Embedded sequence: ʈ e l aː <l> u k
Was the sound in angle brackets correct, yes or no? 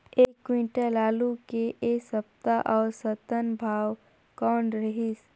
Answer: yes